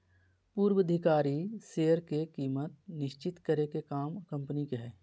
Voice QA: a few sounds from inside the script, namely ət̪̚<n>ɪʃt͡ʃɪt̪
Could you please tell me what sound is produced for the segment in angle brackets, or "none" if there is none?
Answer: n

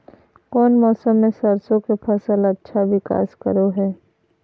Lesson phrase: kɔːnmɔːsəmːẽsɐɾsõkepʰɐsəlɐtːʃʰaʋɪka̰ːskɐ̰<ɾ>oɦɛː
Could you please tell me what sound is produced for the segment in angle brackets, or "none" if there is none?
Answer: ɾ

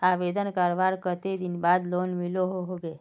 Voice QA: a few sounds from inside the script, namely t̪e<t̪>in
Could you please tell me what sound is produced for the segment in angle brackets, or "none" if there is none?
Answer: d̪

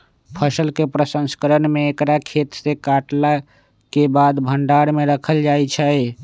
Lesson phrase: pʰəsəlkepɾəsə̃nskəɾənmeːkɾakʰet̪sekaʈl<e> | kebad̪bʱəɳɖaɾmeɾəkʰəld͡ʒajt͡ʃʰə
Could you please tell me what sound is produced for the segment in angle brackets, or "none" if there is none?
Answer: a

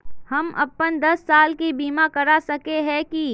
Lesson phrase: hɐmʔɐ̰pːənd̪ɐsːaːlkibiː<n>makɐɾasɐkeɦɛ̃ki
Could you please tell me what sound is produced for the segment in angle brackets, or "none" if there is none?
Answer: none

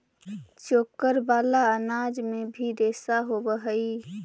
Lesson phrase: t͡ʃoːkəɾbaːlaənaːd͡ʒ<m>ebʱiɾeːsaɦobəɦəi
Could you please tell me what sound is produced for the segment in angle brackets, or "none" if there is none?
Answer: m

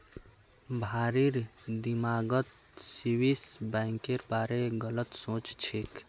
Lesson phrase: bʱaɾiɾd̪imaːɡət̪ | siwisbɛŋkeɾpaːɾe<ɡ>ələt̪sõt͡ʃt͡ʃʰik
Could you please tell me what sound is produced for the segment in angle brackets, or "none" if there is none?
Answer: ɡ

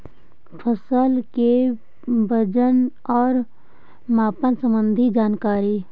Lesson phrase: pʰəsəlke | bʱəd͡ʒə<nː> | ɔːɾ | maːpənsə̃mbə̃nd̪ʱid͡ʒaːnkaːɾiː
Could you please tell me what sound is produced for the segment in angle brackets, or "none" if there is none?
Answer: n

